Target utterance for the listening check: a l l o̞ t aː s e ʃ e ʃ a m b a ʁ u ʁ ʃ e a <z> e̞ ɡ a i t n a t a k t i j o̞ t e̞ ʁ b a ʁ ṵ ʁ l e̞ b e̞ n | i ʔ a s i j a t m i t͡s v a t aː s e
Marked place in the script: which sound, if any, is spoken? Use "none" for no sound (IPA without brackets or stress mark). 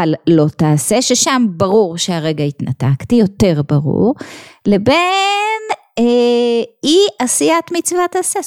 ʁ